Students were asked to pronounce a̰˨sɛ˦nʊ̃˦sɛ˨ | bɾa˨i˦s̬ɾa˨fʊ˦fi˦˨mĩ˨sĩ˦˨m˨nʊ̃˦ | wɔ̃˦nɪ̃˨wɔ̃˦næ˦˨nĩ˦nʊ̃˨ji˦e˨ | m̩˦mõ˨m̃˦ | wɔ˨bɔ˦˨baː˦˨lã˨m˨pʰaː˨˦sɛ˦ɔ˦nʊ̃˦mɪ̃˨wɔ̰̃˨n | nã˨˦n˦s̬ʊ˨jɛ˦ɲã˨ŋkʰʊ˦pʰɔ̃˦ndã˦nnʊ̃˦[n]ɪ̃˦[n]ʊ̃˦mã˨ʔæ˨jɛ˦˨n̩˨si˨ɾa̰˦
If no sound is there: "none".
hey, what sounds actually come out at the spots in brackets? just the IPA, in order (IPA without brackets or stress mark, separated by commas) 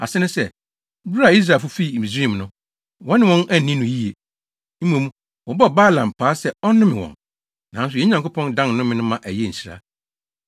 m, n